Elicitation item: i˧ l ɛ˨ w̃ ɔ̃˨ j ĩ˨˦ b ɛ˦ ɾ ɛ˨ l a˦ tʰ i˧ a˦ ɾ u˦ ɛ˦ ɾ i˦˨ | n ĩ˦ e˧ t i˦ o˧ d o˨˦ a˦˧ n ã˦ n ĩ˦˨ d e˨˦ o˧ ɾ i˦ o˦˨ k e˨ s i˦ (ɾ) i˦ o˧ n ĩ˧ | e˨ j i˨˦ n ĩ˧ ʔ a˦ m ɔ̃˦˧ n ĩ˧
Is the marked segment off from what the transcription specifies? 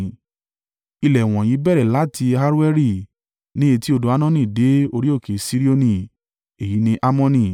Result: no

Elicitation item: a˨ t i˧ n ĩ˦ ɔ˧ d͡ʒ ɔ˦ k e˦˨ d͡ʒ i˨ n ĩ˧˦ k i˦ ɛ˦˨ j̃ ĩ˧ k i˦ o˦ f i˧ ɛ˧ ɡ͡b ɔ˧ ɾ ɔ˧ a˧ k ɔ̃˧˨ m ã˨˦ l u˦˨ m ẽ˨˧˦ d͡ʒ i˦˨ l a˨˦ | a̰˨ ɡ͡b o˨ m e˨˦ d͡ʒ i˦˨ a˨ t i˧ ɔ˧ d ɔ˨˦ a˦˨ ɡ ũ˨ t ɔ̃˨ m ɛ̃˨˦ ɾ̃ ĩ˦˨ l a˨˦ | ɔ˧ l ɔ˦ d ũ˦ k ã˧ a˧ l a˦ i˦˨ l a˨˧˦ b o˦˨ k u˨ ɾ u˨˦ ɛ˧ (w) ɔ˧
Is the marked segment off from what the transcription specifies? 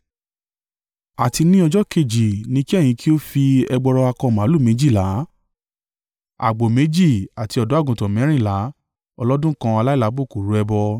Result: yes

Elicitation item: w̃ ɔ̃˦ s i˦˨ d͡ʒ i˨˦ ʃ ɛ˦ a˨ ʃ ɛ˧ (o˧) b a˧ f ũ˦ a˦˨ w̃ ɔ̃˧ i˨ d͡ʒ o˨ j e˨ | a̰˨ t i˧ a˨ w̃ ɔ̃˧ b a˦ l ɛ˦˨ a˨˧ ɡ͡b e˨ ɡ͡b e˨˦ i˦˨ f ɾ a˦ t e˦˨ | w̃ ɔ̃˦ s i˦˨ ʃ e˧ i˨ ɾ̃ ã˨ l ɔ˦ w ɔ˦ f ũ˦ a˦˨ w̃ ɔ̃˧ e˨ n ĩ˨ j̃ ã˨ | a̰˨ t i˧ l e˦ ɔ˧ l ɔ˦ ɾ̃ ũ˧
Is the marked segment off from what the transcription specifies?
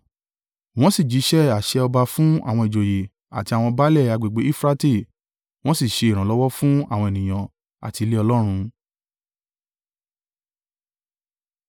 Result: yes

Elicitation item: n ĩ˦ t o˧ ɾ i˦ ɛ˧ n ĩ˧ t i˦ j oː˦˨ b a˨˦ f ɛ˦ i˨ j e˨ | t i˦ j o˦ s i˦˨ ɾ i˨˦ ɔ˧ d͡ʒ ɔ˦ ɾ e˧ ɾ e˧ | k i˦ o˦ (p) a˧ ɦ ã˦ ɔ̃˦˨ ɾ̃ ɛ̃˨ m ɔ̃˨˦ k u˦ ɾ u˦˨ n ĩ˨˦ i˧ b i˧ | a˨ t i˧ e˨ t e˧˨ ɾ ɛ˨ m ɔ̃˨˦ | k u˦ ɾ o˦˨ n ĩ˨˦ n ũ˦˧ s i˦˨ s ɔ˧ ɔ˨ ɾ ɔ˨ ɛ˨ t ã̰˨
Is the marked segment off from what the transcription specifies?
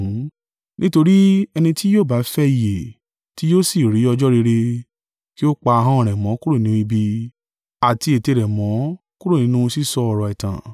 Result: yes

